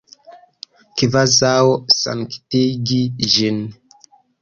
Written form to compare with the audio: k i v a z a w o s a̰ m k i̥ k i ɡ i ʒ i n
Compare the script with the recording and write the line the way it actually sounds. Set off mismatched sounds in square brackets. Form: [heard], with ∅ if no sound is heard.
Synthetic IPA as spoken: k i v a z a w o s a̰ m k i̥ [t] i ɡ i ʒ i n